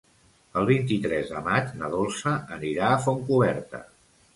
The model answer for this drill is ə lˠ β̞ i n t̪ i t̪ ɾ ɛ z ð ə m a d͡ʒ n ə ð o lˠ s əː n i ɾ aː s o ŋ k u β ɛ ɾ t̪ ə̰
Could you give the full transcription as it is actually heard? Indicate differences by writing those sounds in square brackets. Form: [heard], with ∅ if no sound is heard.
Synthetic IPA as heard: ə lˠ β̞ i n t̪ i t̪ ɾ ɛ z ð ə m a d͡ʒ n ə ð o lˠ s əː n i ɾ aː [f] o ŋ k u β ɛ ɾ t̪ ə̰

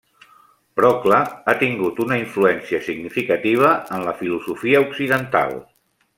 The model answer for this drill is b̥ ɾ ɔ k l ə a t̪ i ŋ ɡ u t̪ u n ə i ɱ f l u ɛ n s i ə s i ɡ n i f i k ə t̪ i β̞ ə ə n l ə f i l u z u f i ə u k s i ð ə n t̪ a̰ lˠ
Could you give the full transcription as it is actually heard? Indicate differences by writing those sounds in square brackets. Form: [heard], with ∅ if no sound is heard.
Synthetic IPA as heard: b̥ ɾ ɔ k l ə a t̪ i ŋ ɡ u t̪ u n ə i ɱ f l u ɛ n s i ə s i ɡ n i f i k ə t̪ i β̞ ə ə n l ə f i l u z u f i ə u k s i ð ə n t̪ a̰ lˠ

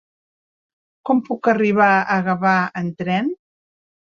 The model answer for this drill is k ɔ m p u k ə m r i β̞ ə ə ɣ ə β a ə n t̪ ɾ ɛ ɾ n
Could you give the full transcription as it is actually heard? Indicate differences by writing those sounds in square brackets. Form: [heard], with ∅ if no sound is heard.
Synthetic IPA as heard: k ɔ m p u k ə [∅] r i β̞ [a] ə ɣ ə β a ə n t̪ ɾ ɛ [∅] n

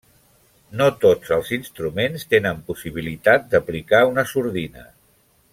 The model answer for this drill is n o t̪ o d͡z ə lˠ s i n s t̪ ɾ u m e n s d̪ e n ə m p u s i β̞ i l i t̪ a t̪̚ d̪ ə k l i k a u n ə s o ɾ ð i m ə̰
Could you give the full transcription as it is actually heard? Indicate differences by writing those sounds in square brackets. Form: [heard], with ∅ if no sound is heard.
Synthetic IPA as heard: n o t̪ o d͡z ə lˠ [z] i n s t̪ ɾ u m e n s [t̪] e n ə m p u s i β̞ i l i t̪ a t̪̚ d̪ ə [p] l i k a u n ə s [u] ɾ ð i [n] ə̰

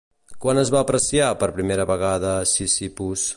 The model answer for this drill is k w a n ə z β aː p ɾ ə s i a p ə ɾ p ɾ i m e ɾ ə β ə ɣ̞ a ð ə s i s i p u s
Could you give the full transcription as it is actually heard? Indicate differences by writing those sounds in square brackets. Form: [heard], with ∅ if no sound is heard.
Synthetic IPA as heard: k w a n ə z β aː p ɾ ə s i a p ə ɾ p ɾ i m e ɾ ə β ə ɣ̞ a ð ə s i s i p u s

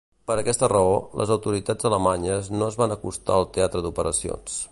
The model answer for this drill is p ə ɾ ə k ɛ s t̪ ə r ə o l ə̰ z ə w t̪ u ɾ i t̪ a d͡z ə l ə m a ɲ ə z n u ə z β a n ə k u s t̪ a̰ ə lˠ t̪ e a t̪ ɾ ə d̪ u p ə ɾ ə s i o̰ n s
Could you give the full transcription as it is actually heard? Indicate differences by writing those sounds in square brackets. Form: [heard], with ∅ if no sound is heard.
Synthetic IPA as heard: p ə ɾ ə k ɛ s t̪ ə r ə o l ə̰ z ə w t̪ u ɾ i t̪ a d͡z ə l ə m a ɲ ə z n [o] ə z β a n ə k u s t̪ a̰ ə lˠ t̪ e a t̪ ɾ ə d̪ u p ə ɾ ə s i o̰ n s

